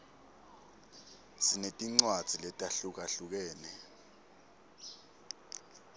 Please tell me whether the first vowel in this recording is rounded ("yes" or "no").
no